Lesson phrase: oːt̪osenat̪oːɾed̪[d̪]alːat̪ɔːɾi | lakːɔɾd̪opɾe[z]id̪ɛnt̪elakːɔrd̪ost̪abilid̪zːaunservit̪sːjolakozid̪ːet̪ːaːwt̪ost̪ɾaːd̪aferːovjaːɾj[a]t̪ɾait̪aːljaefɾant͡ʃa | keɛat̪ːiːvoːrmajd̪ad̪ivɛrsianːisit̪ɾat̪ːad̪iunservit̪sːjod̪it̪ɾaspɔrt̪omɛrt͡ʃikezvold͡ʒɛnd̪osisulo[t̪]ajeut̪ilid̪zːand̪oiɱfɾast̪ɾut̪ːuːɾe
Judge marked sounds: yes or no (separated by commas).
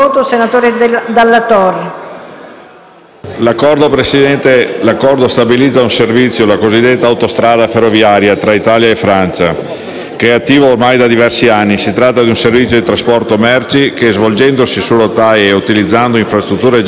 yes, no, yes, yes